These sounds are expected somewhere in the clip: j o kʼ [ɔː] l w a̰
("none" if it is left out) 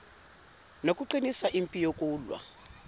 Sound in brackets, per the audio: uː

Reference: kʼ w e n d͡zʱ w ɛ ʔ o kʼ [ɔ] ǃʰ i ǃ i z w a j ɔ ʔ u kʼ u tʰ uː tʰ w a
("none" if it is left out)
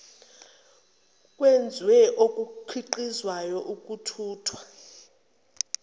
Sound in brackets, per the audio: u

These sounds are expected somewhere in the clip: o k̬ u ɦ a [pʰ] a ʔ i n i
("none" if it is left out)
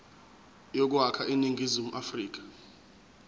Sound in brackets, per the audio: kʰ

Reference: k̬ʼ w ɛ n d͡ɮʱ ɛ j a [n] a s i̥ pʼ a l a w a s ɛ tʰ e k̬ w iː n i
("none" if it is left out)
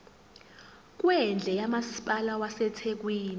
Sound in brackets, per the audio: m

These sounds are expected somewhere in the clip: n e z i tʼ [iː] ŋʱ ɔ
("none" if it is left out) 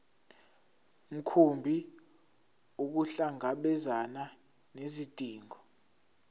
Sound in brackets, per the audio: iː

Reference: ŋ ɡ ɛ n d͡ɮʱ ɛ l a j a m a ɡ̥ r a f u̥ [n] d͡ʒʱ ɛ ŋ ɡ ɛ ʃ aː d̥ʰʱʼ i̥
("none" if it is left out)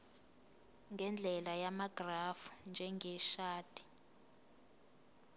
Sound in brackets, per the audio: n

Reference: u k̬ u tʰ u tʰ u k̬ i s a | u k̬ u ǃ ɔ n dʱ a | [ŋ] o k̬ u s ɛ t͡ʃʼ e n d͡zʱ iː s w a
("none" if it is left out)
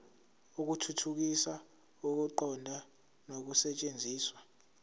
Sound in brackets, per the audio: n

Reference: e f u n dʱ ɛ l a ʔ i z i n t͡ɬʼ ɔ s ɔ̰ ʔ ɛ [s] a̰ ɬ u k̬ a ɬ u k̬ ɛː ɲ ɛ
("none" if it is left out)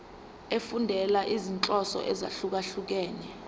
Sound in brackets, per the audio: z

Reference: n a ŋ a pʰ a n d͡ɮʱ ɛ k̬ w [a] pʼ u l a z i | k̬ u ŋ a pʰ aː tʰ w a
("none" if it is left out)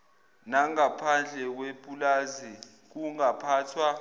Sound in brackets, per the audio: e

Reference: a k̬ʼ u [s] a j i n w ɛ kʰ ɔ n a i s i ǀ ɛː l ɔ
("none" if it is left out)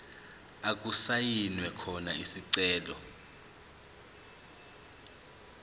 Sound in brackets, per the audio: s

